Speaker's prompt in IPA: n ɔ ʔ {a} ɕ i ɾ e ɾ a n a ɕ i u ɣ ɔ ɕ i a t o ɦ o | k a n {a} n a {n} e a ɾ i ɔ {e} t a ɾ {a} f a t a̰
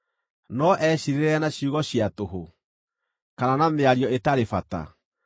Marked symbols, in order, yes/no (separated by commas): no, yes, no, yes, no